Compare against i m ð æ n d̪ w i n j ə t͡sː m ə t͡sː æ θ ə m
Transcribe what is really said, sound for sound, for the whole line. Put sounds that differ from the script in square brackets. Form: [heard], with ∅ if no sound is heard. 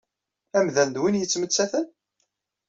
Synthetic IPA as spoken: [æ] m ð æ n d̪ w i n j ə t͡sː m ə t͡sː æ θ ə [n]